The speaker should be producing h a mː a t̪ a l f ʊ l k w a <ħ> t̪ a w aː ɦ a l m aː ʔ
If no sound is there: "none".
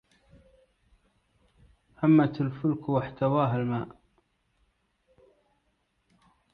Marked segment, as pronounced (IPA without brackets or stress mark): ħ